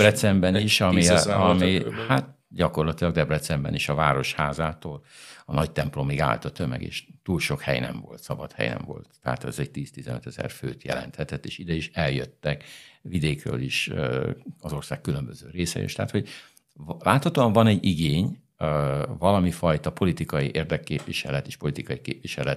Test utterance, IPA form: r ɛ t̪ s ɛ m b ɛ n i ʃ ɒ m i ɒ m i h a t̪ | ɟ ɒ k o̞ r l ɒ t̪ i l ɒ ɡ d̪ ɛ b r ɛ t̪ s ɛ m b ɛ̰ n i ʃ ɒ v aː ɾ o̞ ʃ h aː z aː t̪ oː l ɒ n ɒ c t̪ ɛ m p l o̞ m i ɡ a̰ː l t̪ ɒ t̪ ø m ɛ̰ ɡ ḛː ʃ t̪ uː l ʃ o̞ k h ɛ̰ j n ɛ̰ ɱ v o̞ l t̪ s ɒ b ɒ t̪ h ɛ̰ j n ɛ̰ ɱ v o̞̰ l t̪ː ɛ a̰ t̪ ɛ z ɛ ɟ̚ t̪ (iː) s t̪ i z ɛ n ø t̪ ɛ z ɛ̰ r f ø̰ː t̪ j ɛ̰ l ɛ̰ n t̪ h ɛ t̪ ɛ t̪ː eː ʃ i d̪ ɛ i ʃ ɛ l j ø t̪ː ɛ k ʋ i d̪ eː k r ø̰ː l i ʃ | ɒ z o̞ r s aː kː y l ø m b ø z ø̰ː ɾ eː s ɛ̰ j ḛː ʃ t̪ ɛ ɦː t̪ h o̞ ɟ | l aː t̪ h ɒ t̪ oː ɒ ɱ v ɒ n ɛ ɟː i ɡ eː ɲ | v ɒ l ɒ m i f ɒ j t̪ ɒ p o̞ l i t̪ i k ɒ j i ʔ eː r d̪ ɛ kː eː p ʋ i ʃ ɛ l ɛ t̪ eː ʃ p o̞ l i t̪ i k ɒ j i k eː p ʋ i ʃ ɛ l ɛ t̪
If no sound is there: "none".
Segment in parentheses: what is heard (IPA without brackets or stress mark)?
iː